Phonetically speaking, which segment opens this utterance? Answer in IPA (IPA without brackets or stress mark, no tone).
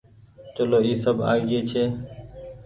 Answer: t͡ʃ